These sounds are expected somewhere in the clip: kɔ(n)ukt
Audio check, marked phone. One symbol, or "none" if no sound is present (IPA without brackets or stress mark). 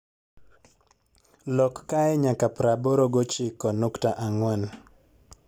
n